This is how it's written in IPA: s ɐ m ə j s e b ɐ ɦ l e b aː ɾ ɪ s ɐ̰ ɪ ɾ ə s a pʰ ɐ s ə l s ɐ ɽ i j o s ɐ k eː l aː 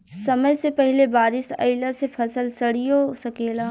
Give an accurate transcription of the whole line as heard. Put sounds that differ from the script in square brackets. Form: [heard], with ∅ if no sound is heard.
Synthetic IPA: s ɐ m ə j s e [p] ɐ ɦ l e b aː ɾ ɪ s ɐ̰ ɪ [l] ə s [e] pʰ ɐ s ə l s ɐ ɽ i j o s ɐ k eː l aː